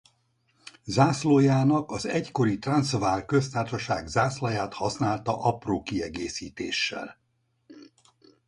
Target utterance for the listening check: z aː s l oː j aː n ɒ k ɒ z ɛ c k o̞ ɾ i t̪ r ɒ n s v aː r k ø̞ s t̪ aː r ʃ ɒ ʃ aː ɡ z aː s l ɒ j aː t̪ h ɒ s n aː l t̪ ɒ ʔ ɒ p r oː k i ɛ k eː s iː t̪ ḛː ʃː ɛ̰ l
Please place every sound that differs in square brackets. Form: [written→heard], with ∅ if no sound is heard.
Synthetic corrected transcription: z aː s l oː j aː n ɒ k ɒ z ɛ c k o̞ ɾ i t̪ r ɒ n s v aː r k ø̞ s t̪ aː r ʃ ɒ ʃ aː ɡ z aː s l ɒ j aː t̪ h ɒ s n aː l t̪ ɒ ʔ ɒ p r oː k i ɛ [k→ɡ] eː s iː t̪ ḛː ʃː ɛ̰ l